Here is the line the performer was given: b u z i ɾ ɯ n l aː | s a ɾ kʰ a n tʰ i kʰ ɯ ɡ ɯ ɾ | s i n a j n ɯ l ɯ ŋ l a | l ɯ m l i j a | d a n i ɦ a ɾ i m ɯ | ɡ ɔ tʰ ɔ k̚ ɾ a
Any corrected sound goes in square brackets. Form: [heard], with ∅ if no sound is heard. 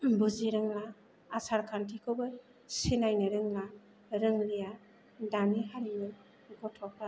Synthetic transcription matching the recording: b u z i ɾ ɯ [ŋ] l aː | s a ɾ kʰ a n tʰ i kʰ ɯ [b] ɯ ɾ | s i n a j n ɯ [ɾ] ɯ ŋ l a | [ɾ] ɯ [ŋ] l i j a | d a n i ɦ a ɾ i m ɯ | ɡ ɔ tʰ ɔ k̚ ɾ a

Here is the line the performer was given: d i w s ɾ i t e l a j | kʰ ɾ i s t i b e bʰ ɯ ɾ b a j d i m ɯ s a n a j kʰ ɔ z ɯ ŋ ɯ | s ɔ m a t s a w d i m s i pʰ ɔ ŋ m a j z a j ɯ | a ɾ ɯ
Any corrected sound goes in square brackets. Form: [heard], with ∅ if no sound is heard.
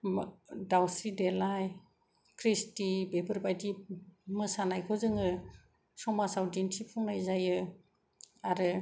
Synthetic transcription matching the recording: d [a] w s ɾ i [d] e l a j | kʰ ɾ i s t i b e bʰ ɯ ɾ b a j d i m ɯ s a n a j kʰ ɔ z ɯ ŋ ɯ | s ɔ m a [∅] s a w d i [n] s i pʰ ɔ ŋ [n] a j z a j ɯ | a ɾ ɯ

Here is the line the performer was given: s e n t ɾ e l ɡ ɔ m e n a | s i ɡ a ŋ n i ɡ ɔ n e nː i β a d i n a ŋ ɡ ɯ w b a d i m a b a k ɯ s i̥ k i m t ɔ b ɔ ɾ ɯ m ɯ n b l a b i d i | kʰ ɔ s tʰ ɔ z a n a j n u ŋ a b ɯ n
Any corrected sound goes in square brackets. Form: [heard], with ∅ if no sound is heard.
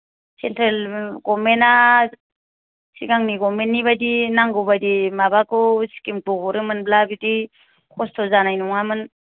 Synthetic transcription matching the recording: s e n t ɾ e l ɡ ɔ m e n a | s i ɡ a ŋ n i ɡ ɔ [m] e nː i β a d i n a ŋ ɡ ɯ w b a d i m a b a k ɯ s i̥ k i m t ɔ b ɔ ɾ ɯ m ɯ n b l a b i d i | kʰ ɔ s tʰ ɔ z a n a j n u ŋ a [m] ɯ n

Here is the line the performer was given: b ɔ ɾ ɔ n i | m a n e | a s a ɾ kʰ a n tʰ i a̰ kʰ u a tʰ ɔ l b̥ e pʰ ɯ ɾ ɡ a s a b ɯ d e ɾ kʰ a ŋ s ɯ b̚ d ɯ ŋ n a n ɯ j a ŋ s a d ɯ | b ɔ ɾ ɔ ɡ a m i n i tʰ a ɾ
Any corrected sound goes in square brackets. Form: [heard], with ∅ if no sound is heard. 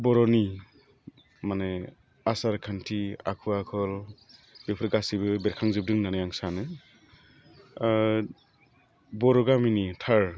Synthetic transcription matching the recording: b ɔ ɾ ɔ n i | m a n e | a s a ɾ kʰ a n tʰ i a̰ kʰ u a [kʰ] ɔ l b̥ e pʰ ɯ ɾ ɡ a s [i] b ɯ [b] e ɾ kʰ a ŋ [z] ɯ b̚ d ɯ ŋ n a n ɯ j a ŋ s a [n] ɯ | b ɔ ɾ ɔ ɡ a m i n i tʰ a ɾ

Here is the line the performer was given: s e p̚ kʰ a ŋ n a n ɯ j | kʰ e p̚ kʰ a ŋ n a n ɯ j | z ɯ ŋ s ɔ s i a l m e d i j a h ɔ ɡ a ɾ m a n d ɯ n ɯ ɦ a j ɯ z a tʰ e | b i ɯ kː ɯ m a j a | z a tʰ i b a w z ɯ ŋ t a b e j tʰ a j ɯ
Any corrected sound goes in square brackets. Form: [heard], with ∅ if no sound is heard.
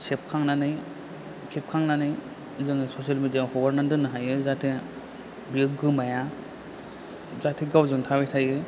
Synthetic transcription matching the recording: s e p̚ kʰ a ŋ n a n ɯ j | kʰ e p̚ kʰ a ŋ n a n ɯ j | z ɯ ŋ s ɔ s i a l m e d i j a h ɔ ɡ a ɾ [n] a n d ɯ n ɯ ɦ a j ɯ z a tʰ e | b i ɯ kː ɯ m a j a | z a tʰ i [ɡ] a w z ɯ ŋ [tʰ] a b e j tʰ a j ɯ

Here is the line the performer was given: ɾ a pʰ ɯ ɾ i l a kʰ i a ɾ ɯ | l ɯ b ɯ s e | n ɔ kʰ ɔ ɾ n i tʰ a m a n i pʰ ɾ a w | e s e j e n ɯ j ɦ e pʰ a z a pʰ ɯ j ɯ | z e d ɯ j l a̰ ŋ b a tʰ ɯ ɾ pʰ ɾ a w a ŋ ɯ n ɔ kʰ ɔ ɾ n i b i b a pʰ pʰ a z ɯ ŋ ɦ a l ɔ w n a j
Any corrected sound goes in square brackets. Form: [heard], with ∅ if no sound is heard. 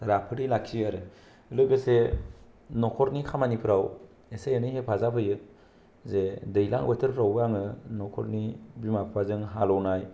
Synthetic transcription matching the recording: ɾ a pʰ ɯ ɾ i l a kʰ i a ɾ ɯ | l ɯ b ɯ s e | n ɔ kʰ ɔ ɾ n i [kʰ] a m a n i pʰ ɾ a w | e s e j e n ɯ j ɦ e pʰ a z a pʰ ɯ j ɯ | z e d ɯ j l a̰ ŋ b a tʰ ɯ ɾ pʰ ɾ a w a ŋ ɯ n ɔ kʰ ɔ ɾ n i b i [m] a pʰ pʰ a z ɯ ŋ ɦ a l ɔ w n a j

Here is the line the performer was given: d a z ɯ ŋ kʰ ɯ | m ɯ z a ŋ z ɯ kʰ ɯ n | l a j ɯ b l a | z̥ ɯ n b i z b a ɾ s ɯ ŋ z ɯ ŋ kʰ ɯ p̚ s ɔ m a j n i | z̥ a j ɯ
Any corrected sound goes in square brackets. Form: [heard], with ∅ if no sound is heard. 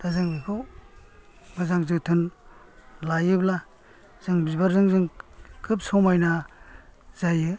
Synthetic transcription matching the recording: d a z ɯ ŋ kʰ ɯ | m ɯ z a ŋ z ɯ [tʰ] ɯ n | l a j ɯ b l a | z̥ ɯ [ŋ] b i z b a ɾ [z] ɯ ŋ z ɯ ŋ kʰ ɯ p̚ s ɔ m a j n [a] | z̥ a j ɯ

